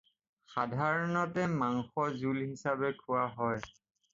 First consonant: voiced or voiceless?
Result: voiceless